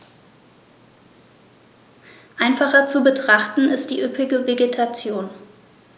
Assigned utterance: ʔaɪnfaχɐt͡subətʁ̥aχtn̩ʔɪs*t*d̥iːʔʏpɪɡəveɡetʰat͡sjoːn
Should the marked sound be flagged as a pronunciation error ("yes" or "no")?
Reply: no